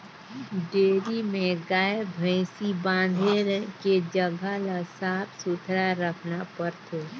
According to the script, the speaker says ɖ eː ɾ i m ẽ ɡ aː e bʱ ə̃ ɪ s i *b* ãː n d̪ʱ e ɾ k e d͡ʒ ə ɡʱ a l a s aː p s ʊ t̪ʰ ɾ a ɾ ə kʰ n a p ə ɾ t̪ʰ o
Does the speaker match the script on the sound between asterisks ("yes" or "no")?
yes